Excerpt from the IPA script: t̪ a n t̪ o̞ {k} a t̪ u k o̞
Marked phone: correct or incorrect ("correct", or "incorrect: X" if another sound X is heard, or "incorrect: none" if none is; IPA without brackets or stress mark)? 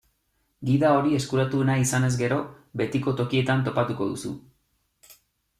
incorrect: p